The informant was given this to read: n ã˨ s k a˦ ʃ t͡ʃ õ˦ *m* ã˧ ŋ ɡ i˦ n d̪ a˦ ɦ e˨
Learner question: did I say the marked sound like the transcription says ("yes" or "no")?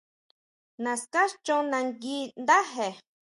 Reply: no